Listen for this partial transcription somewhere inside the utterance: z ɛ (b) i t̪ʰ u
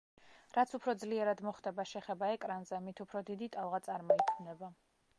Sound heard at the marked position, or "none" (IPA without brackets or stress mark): m